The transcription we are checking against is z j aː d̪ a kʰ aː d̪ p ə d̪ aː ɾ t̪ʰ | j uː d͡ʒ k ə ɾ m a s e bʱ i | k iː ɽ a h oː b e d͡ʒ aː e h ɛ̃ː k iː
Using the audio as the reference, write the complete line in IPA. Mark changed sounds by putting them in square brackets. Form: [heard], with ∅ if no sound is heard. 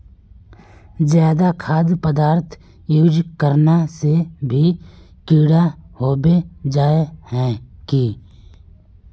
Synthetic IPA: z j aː d̪ a kʰ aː d̪ p ə d̪ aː ɾ t̪ʰ | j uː d͡ʒ k ə ɾ [n] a s e bʱ i | k iː ɽ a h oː b e d͡ʒ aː e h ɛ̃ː k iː